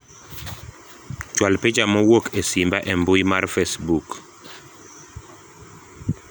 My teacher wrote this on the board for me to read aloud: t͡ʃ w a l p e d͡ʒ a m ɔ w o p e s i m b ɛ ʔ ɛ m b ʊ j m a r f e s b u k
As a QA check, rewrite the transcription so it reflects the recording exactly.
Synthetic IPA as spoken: t͡ʃ w a l p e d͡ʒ a m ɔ w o k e s i m b a ʔ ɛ m b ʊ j m a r f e s b u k

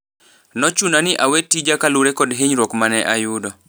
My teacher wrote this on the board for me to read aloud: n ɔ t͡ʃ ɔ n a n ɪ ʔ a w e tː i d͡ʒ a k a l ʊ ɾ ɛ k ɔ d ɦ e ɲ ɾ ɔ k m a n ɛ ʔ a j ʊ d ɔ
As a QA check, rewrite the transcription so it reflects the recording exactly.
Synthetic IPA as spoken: n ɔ t͡ʃ u n a n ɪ ʔ a w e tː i d͡ʒ a k a l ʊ ɾ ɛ k ɔ d ɦ e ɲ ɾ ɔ k m a n ɛ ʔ a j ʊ d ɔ

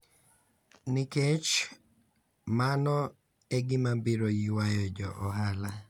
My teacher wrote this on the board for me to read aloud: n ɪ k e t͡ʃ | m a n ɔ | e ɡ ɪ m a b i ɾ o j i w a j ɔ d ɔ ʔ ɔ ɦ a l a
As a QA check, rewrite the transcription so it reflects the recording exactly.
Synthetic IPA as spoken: n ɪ k e t͡ʃ | m a n ɔ | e ɡ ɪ m a b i ɾ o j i w a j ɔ d͡ʒ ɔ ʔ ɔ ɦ a l a

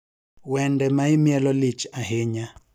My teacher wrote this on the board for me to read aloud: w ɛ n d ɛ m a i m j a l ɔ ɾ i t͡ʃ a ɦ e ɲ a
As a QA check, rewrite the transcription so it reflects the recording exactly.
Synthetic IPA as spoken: w ɛ n d ɛ m a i m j ɛ l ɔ l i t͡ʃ a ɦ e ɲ a

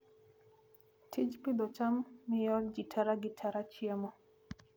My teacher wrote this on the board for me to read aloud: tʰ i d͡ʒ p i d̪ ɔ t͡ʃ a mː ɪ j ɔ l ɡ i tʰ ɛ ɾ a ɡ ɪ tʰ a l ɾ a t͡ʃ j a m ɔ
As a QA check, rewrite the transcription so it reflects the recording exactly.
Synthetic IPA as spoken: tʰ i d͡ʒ p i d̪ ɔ t͡ʃ a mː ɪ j ɔ l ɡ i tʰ a ɾ a ɡ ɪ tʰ a ɾ a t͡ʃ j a m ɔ

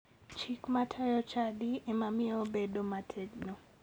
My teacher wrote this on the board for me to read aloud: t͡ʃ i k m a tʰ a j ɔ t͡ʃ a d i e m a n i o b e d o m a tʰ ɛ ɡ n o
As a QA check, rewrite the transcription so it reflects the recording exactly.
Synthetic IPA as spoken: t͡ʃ i k m a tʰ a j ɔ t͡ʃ a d i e m a m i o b e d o m a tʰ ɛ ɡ n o

